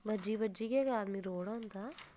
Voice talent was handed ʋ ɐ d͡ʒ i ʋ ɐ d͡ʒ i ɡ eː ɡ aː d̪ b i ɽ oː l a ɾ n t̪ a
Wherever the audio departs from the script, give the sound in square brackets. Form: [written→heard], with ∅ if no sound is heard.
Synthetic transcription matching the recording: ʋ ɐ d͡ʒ i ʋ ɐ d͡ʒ i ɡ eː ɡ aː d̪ [b→m] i [ɽ→ɾ] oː [l→ɽ] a [ɾ→∅] n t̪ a